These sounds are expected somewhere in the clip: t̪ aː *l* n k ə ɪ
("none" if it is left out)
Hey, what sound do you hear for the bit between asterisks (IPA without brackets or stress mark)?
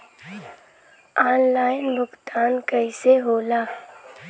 none